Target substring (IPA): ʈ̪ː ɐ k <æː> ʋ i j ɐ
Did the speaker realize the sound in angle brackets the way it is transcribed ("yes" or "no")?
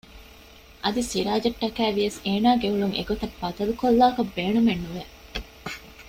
yes